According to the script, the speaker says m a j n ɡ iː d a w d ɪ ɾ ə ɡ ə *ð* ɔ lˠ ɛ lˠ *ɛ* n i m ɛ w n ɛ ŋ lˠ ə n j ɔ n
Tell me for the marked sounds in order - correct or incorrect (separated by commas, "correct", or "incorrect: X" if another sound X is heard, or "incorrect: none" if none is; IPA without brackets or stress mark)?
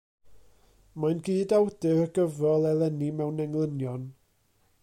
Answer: incorrect: v, correct